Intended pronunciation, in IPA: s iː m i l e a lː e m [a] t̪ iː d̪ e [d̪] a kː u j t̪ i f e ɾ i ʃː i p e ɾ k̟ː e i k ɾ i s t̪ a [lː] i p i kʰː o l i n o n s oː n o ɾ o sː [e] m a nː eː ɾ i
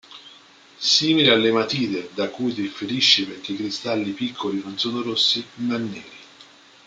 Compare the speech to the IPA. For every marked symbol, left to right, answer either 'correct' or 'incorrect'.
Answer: correct, correct, correct, incorrect

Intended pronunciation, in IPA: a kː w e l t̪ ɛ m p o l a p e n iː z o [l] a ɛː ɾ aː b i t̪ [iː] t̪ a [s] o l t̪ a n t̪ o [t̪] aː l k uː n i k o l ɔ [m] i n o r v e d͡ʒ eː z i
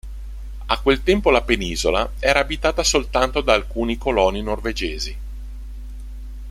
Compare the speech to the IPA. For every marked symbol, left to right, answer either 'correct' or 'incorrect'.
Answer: correct, incorrect, correct, incorrect, incorrect

